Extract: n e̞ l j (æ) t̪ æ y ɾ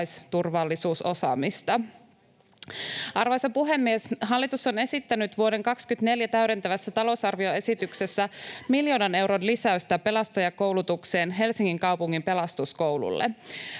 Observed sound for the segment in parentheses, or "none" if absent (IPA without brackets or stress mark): æ